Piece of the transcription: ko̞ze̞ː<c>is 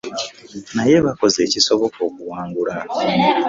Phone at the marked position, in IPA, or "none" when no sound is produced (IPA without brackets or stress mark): c